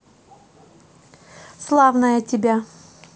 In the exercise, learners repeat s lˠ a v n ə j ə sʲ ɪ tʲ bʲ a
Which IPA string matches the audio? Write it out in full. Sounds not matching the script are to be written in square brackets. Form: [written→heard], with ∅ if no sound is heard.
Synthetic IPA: s lˠ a v n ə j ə [sʲ→tʲ] ɪ [tʲ→∅] bʲ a